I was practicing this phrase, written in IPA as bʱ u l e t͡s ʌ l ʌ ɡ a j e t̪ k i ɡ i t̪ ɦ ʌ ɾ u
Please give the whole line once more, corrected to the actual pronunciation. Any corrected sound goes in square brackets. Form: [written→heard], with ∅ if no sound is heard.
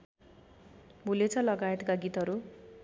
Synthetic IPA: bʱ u l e [t͡s→t͡sʰ] ʌ l ʌ ɡ a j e t̪ k [i→a] ɡ i t̪ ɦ ʌ ɾ u